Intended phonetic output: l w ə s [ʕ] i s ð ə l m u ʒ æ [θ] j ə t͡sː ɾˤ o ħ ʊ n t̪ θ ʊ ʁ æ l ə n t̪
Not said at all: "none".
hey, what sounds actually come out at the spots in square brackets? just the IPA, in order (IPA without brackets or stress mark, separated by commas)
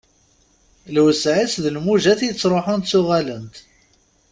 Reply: ʕ, θ